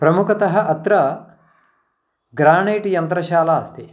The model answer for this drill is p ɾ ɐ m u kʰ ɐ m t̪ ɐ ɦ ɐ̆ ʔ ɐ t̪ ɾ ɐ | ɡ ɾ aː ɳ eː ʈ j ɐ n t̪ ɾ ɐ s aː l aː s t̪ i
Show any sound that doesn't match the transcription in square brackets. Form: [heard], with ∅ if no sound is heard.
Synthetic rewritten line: p ɾ ɐ m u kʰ ɐ [∅] t̪ ɐ ɦ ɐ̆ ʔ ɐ t̪ ɾ ɐ | ɡ ɾ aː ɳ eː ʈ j ɐ n t̪ ɾ ɐ [ʃ] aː l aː s t̪ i